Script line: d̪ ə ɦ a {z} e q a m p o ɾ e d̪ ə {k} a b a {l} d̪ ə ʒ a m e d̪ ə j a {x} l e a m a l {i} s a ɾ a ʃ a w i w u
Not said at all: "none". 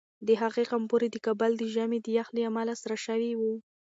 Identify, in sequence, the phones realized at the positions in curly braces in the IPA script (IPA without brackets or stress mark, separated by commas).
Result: ɣ, k, l, x, a